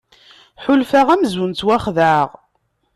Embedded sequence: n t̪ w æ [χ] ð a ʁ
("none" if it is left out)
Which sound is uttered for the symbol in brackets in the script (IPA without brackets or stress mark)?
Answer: χ